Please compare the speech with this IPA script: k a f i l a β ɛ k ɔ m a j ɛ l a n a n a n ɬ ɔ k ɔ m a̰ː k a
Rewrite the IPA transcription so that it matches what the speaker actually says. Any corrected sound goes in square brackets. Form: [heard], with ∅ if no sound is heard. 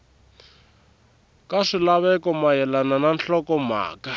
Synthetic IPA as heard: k a [ʂ] i l a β ɛ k ɔ m a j ɛ l a n a n a n ɬ ɔ k ɔ m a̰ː k a